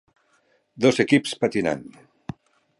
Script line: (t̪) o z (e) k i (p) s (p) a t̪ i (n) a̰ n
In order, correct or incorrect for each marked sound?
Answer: incorrect: d̪, correct, correct, correct, correct

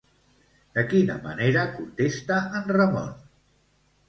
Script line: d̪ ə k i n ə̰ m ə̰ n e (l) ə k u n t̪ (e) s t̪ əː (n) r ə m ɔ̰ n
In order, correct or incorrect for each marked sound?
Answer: incorrect: ɾ, correct, correct

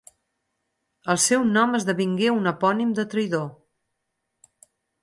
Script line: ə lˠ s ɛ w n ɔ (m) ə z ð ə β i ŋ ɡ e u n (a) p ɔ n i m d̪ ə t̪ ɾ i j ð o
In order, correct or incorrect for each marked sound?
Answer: correct, incorrect: ə

